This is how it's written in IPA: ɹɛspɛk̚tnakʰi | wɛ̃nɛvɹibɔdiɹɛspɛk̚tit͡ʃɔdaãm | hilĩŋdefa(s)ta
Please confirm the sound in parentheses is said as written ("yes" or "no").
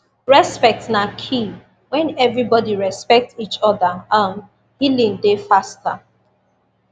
yes